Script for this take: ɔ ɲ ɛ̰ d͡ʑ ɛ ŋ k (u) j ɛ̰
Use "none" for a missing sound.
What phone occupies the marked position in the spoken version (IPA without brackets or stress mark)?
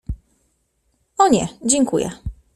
u